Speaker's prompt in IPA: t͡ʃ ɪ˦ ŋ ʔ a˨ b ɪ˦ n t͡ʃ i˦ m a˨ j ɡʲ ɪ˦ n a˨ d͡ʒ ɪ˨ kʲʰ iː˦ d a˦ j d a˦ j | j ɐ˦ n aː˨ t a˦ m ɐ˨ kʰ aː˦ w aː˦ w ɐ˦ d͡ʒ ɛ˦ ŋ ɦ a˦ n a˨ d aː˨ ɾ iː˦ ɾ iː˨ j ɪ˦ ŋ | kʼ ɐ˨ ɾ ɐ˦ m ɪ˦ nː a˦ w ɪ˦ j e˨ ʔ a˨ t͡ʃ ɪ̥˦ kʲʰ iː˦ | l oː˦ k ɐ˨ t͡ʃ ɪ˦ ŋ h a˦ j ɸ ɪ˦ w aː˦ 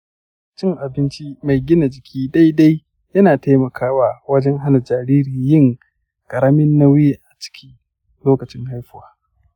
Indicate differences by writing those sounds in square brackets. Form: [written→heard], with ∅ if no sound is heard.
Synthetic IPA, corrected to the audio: t͡ʃ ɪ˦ ŋ ʔ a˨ b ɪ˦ n t͡ʃ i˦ m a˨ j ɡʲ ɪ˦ n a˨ d͡ʒ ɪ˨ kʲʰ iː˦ d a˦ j d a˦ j | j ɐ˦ n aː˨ t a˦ m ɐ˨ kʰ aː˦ w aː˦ w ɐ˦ d͡ʒ ɛ˦ ŋ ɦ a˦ n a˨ [d→d͡ʒ] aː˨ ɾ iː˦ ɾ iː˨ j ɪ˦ ŋ | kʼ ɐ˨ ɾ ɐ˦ m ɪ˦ nː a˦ w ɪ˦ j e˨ ʔ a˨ t͡ʃ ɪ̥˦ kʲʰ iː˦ | l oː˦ k ɐ˨ t͡ʃ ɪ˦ ŋ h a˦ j ɸ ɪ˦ w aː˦